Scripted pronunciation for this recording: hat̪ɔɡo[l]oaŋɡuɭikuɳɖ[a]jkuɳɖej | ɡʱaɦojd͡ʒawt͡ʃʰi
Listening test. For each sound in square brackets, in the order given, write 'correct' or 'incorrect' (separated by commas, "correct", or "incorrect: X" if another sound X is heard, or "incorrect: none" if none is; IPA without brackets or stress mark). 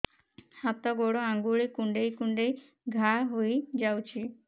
incorrect: ɽ, incorrect: e